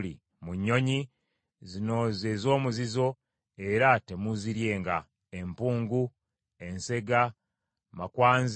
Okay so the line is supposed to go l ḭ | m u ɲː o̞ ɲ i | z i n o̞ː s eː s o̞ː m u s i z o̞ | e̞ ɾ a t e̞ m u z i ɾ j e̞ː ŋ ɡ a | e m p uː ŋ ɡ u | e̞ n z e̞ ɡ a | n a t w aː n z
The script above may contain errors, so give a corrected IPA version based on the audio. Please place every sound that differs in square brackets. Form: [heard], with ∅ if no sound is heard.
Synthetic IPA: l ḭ | m u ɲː o̞ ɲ i | z i n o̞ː [z] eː [z] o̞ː m u [z] i z o̞ | e̞ ɾ a t e̞ m u z i ɾ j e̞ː ŋ ɡ a | e m p uː ŋ ɡ u | e̞ n [s] e̞ ɡ a | [m] a [k] w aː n z